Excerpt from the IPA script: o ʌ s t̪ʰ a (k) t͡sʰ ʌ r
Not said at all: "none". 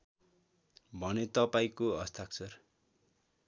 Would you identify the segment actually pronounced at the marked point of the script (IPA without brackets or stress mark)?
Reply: k